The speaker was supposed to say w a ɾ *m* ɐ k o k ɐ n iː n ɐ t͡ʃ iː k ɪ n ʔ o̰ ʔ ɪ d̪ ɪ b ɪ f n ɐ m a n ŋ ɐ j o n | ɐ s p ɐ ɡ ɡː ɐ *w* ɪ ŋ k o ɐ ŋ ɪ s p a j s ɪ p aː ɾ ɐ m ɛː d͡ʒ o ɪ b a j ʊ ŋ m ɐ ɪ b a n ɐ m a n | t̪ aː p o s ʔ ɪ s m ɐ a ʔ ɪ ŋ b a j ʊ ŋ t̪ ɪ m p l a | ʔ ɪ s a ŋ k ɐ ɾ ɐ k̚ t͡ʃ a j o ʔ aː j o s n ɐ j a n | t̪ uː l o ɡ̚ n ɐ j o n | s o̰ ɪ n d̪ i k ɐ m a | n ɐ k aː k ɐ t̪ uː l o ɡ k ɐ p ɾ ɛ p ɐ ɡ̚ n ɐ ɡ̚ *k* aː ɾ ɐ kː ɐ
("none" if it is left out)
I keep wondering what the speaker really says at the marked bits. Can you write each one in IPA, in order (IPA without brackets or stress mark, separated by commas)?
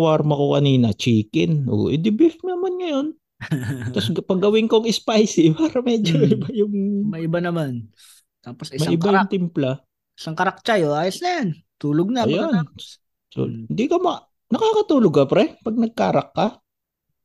m, w, k